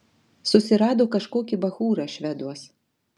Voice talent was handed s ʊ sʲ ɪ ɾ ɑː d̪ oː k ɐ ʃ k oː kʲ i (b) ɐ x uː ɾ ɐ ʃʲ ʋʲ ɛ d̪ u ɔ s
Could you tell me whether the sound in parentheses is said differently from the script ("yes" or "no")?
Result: no